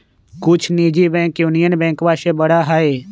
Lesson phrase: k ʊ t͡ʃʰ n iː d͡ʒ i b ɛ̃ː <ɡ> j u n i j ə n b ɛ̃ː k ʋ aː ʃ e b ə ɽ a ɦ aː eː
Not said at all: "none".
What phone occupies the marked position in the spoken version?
k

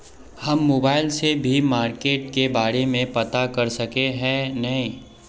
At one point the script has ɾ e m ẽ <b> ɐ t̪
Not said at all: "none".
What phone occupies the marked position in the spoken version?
p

